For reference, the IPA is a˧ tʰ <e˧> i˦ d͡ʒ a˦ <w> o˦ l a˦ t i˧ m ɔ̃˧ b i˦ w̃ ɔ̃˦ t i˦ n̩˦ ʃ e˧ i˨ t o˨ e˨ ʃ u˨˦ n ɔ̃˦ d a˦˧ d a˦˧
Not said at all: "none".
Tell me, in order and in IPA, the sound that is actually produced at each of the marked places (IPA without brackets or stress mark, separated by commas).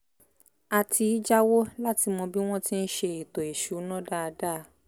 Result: i˧, w